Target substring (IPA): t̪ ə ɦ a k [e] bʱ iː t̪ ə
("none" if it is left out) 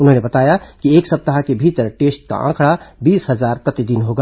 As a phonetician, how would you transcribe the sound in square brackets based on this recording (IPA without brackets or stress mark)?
e